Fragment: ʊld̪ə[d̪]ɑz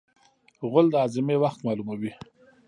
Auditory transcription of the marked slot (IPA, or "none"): none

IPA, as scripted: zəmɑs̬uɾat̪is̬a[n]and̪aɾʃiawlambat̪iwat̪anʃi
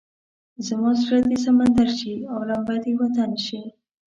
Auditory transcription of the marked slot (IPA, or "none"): m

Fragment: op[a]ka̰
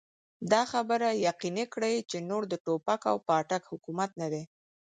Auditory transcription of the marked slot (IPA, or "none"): a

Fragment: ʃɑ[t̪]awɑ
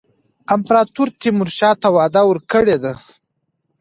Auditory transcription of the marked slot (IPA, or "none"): t̪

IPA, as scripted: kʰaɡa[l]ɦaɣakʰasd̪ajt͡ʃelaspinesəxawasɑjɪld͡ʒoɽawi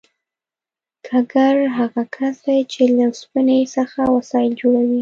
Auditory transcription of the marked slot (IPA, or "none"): ɾ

